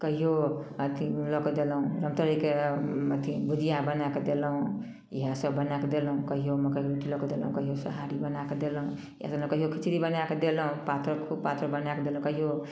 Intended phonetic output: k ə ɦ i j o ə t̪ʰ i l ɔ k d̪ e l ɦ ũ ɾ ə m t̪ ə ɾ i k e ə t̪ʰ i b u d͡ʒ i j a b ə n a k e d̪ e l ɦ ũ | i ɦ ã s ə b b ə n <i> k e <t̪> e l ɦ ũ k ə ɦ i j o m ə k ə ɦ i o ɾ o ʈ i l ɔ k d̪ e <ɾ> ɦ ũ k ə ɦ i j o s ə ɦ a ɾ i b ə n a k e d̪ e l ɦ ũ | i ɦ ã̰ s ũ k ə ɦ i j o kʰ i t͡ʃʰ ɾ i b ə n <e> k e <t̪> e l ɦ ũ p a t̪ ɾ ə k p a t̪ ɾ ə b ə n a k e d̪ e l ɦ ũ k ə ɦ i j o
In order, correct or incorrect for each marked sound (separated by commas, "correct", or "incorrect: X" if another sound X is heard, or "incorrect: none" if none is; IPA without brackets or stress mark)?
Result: incorrect: a, incorrect: d̪, incorrect: l, incorrect: a, incorrect: d̪